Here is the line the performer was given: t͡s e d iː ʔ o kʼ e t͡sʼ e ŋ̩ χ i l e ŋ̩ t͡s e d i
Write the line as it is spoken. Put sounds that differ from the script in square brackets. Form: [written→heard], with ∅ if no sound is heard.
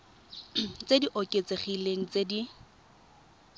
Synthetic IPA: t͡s e d [iː→i] ʔ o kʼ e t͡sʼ e [ŋ̩→∅] χ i l e ŋ̩ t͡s e d i

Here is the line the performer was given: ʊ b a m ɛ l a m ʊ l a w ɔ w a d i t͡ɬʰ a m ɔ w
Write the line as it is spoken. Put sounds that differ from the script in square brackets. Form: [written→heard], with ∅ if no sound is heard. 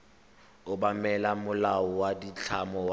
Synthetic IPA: ʊ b a m ɛ l a m ʊ l a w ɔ w a d i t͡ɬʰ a m ɔ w

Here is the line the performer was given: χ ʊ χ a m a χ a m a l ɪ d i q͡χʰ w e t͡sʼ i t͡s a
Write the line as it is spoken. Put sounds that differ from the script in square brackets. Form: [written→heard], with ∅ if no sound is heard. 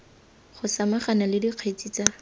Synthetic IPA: χ ʊ [χ→s] a m a χ a [m→n] a l ɪ d i q͡χʰ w e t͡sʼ i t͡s a

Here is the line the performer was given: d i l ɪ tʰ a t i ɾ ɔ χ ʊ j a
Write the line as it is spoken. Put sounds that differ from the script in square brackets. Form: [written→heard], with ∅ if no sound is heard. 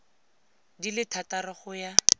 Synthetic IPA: d i l ɪ tʰ a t [i→a] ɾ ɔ χ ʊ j a

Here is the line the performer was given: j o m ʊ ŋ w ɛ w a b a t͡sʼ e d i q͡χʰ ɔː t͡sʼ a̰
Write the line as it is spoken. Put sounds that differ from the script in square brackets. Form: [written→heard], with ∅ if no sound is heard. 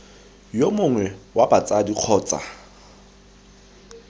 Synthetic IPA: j o m ʊ ŋ w ɛ w a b a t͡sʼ [e→a] d i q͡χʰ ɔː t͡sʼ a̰

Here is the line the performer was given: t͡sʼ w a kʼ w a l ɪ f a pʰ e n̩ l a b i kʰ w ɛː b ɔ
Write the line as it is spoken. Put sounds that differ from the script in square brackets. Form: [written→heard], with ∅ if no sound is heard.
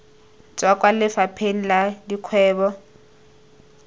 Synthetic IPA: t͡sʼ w a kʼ w a l ɪ f a pʰ e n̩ l a [b→d] i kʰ w ɛː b ɔ

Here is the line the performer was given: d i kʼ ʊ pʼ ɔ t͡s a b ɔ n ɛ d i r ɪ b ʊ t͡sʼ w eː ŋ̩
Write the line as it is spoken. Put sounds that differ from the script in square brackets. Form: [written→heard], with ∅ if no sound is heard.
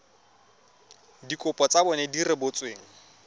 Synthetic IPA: d i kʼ ʊ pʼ ɔ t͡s a b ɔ n ɛ d i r ɪ b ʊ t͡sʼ w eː ŋ̩

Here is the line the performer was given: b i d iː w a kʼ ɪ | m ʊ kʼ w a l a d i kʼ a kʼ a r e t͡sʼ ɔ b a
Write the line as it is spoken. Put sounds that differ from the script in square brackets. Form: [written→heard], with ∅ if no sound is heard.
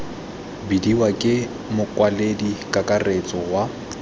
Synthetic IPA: b i d [iː→i] w a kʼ ɪ | m ʊ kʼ w a l [a→e] d i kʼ a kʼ a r e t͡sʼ ɔ [b→w] a

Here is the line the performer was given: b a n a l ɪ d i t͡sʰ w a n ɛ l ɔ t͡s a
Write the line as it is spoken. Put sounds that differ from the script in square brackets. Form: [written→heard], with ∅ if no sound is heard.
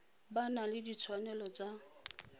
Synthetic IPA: b a n a l ɪ d i t͡sʰ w a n ɛ l ɔ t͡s a

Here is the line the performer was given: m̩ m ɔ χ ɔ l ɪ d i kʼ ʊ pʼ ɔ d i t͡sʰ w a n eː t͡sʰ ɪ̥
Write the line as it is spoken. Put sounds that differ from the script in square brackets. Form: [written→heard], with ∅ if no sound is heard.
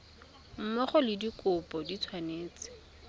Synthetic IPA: m̩ m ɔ χ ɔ l ɪ d i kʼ ʊ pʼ ɔ d i t͡sʰ w a n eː [t͡sʰ→t͡s] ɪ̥

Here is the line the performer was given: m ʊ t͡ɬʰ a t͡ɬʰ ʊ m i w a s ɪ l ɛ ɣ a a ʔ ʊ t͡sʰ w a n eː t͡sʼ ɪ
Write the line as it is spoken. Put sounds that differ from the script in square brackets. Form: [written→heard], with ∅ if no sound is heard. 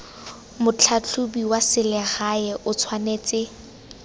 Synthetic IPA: m ʊ t͡ɬʰ a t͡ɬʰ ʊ [m→b] i w a s ɪ l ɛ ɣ a [a→ɛ] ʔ ʊ t͡sʰ w a n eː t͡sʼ ɪ

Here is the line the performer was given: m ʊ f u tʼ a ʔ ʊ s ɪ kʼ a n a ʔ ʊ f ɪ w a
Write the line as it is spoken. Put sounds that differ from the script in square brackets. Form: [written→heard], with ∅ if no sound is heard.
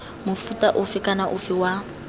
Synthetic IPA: m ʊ f u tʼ a ʔ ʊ [s→f] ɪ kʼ a n a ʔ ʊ f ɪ w a

